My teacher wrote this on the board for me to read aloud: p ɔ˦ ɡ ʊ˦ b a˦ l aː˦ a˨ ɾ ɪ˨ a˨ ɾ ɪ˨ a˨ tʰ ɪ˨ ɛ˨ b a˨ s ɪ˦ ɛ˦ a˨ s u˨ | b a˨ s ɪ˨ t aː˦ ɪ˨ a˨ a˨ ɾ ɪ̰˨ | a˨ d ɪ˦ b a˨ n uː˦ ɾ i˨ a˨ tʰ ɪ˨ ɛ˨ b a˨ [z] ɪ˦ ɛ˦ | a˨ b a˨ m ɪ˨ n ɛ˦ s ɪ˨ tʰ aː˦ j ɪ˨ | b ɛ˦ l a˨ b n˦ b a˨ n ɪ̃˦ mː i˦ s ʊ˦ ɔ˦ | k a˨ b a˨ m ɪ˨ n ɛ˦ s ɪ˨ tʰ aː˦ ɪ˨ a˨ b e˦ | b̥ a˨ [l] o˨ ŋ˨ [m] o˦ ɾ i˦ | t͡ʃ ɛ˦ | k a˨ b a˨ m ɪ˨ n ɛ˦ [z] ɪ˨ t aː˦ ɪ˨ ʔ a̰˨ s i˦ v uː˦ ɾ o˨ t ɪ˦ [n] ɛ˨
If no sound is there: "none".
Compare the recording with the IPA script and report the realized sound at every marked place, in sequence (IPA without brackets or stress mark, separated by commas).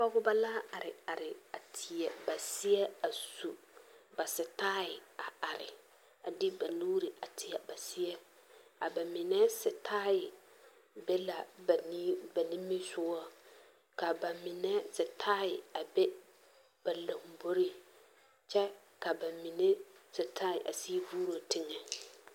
s, l, b, s, ŋ